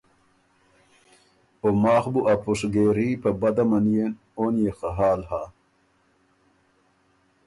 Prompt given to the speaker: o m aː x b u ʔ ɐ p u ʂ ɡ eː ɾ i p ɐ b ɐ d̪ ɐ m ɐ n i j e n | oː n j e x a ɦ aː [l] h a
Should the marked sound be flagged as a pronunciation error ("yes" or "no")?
no